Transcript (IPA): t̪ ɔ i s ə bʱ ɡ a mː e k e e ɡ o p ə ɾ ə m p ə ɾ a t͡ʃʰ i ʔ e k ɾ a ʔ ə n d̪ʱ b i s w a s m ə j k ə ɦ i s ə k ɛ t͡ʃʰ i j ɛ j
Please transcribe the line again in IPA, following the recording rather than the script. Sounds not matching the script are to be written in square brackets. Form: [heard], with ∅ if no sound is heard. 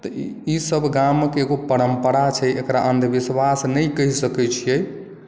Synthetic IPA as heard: t̪ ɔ i s ə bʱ ɡ a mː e k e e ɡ o p ə ɾ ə m p ə ɾ a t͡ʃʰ [ɛ] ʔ e k ɾ a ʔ ə n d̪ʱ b i s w a s [n] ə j k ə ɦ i s ə k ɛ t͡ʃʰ i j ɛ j